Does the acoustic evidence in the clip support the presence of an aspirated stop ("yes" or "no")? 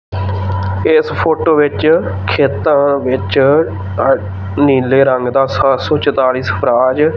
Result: yes